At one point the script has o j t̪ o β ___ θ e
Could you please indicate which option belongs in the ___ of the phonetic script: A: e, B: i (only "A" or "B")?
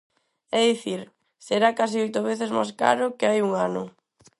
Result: A